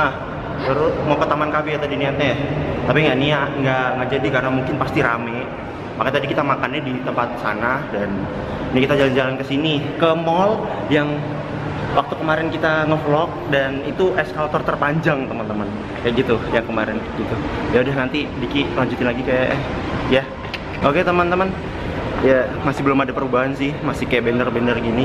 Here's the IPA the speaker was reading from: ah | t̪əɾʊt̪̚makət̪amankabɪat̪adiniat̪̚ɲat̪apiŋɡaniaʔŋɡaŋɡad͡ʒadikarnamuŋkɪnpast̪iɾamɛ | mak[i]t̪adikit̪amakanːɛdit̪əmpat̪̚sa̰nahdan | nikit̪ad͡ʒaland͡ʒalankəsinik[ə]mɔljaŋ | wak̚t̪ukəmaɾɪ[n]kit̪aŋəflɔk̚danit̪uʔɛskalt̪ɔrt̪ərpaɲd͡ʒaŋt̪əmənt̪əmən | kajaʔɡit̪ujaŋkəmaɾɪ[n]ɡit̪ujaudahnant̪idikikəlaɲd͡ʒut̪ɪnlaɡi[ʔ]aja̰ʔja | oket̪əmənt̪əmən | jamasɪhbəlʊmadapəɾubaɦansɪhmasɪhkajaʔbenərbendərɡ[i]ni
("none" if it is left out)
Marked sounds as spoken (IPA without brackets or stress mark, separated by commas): a, ə, n, n, k, i